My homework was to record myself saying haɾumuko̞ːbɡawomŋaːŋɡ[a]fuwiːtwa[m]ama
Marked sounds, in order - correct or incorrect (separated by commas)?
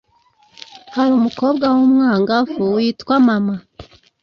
correct, correct